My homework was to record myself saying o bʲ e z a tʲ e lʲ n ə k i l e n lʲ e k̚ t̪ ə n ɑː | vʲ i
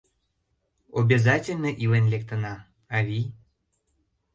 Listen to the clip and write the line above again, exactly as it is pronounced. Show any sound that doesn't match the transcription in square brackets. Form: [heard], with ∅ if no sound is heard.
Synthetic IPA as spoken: o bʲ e z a tʲ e lʲ n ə [ʔ] i l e n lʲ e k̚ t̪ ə n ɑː | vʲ i